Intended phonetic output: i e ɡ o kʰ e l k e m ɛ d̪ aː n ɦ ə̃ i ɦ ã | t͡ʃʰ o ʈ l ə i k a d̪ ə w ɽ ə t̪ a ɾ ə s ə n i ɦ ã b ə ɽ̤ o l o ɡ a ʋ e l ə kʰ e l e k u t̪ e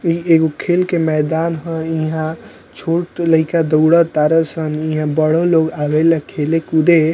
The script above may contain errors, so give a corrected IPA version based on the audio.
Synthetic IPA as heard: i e ɡ o kʰ e l k e m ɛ d̪ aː n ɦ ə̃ i ɦ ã | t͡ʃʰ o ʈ l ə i k a d̪ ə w ɽ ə t̪ a ɾ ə s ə n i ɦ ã b ə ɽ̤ o l o ɡ a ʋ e l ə kʰ e l e k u d̪ e